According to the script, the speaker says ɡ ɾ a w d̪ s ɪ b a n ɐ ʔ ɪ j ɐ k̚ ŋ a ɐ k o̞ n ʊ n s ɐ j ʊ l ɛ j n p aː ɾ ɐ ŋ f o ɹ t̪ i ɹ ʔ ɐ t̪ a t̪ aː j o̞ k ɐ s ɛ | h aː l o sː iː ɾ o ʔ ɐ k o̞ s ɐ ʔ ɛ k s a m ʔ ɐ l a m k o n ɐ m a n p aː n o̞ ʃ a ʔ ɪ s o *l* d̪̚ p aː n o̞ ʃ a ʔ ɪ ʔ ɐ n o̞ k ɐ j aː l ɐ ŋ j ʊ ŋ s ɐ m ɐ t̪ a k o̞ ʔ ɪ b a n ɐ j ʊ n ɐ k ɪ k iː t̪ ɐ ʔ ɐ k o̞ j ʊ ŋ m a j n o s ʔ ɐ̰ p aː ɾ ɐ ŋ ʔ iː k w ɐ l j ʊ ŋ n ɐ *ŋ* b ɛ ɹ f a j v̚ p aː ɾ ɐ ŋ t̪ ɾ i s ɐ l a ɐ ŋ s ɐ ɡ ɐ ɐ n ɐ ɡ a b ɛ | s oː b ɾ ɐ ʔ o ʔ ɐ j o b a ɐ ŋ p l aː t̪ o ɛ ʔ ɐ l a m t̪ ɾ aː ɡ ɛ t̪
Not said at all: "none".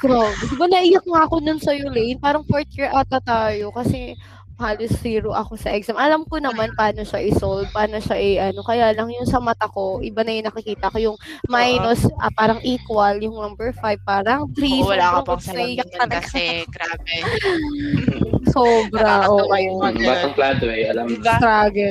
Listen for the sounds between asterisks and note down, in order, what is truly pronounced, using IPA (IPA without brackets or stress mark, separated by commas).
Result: l, m